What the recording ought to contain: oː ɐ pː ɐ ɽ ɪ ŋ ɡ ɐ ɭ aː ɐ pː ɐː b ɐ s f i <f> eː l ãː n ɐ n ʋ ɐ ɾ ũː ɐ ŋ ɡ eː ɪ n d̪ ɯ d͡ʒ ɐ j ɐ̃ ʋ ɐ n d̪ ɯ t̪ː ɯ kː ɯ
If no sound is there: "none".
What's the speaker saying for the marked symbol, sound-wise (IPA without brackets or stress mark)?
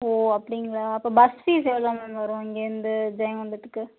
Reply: s